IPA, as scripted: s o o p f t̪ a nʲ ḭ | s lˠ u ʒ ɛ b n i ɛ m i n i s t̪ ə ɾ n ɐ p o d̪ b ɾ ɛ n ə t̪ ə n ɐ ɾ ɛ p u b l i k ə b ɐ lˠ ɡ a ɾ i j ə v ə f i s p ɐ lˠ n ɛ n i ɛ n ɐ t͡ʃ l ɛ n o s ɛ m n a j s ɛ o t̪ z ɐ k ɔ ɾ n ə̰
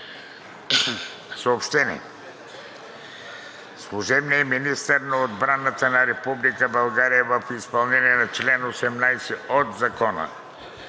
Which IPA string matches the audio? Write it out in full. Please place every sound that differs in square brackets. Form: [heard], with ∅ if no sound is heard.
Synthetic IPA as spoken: s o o p [ʃ] t̪ [ɛ] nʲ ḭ | s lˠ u ʒ ɛ b n i ɛ m i n i s t̪ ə ɾ n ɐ [∅] o d̪ b ɾ [a] n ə t̪ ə n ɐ ɾ ɛ p u b l i k ə b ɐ lˠ ɡ a ɾ i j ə v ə f i s p ɐ lˠ n ɛ n i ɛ n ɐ t͡ʃ l ɛ n o s ɛ m n a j s ɛ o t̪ z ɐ k ɔ [∅] n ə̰